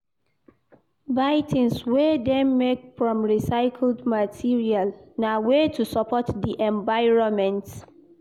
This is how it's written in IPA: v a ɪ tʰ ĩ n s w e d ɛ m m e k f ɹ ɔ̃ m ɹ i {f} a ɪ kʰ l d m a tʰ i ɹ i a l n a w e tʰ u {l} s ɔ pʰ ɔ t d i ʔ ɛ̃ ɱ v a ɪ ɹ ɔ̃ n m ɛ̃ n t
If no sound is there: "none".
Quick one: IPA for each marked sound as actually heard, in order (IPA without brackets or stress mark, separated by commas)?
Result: s, none